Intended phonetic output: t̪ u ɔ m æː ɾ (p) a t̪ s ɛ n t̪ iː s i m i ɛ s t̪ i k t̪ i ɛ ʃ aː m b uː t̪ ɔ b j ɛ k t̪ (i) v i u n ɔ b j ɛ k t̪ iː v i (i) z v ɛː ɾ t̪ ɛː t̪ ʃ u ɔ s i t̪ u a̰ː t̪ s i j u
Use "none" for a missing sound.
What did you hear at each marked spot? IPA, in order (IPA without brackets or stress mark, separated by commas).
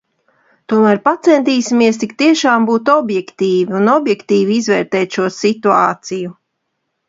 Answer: p, iː, i